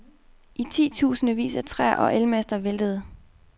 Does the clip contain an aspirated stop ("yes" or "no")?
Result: yes